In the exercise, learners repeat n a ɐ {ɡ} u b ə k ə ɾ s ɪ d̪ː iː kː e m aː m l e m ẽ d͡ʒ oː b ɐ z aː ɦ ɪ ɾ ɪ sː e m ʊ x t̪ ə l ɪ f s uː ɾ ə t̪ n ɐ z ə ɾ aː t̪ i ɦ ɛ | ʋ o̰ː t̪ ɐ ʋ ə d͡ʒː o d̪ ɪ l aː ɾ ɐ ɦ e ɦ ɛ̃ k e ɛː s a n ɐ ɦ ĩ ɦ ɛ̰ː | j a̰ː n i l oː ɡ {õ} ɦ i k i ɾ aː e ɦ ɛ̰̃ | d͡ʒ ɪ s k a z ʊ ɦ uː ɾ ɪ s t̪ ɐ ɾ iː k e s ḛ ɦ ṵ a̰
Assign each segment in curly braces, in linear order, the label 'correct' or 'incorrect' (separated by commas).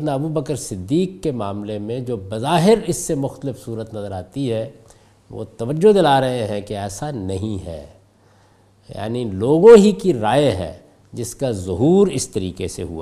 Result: incorrect, correct